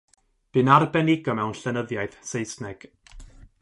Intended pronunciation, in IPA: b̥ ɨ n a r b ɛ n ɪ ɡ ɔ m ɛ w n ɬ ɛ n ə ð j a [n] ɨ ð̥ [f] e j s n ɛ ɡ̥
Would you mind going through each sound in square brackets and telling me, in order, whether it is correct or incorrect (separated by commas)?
incorrect, incorrect